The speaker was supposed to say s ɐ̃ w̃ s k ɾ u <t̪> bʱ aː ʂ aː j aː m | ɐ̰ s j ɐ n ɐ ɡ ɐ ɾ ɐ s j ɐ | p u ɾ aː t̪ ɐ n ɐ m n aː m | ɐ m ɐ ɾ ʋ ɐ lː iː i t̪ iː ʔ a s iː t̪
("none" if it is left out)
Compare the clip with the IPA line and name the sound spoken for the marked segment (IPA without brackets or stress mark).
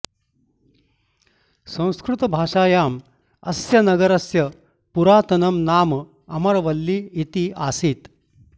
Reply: t̪